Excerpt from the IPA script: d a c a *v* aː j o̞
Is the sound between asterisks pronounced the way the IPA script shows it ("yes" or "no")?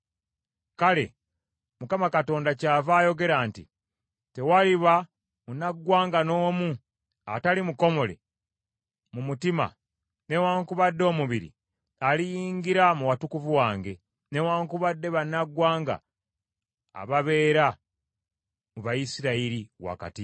yes